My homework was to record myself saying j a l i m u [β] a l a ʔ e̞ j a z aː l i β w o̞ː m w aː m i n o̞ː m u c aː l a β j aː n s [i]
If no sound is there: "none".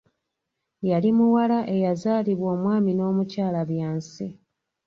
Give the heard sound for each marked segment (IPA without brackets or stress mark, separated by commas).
w, i